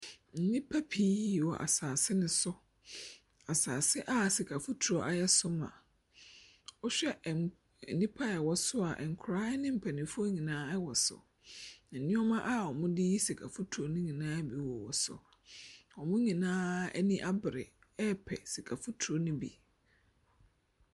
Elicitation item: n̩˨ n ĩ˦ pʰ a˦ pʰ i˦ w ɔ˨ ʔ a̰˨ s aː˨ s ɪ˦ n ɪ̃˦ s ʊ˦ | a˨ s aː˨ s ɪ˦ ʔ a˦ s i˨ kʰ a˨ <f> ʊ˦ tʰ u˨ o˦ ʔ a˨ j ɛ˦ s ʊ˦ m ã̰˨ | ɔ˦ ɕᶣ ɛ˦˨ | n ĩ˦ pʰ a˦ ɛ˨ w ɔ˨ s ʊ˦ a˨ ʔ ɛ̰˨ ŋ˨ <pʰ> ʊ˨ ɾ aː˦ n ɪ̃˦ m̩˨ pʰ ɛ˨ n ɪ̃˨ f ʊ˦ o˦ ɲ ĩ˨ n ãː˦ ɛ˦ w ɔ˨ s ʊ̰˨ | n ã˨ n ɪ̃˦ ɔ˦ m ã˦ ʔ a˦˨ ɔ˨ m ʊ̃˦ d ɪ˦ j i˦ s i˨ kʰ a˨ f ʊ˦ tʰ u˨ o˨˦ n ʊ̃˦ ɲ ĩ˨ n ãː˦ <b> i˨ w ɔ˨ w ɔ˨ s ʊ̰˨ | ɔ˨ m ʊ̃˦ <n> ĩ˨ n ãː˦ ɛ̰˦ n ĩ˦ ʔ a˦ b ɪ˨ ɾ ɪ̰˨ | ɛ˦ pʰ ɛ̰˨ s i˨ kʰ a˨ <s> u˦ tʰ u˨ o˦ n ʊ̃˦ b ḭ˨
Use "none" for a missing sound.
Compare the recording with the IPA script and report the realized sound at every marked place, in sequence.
f, kʰ, b, ɲ, f

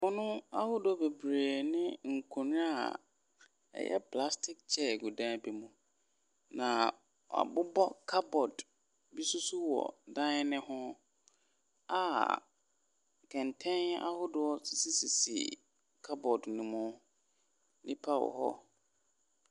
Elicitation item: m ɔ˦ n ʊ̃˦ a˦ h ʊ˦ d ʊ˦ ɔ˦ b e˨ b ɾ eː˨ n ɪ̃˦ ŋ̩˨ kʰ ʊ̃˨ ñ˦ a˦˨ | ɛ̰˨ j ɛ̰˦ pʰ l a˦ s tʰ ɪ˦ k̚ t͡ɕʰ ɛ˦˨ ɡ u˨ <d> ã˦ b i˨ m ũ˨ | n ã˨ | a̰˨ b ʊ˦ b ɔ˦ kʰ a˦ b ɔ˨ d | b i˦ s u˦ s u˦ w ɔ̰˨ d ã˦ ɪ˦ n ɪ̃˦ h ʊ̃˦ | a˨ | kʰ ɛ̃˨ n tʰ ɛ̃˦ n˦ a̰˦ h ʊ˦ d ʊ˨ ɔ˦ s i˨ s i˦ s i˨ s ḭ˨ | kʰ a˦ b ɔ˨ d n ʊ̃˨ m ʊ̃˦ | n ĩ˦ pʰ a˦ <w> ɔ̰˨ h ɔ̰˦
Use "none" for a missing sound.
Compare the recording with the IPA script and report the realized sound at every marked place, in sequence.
d, w

